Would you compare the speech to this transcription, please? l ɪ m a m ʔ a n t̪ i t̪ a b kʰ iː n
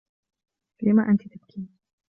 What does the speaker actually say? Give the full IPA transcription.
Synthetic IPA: l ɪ m a ʔ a n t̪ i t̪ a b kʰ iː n